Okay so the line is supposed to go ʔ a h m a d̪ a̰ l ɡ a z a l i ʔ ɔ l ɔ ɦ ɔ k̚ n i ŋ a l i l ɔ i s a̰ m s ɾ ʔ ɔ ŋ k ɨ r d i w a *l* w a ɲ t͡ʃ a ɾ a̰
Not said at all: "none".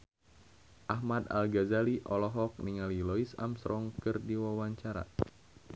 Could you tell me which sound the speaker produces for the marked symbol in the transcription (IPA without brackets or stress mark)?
none